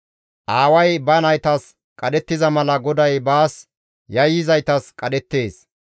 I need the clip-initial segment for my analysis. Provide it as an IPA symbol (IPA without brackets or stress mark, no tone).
ʔ